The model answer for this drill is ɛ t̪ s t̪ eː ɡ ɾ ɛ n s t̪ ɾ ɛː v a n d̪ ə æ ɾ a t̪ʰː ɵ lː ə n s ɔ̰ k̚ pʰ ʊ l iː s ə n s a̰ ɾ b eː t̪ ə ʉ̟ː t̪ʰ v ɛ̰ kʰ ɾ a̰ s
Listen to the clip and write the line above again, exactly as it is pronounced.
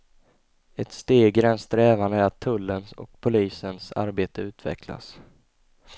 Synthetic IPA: ɛ t̪ s t̪ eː ɡ ɾ ɛ n s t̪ ɾ ɛː v a n d̪ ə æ ɾ a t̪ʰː ɵ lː ə n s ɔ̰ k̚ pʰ ʊ l iː s ə n s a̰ ɾ b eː t̪ ə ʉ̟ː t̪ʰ v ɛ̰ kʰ l a̰ s